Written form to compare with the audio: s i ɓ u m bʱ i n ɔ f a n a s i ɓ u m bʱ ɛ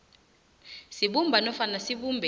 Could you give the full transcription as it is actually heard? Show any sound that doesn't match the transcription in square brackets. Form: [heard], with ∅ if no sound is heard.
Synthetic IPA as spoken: s i ɓ u m bʱ [a] n ɔ f a n a s i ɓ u m bʱ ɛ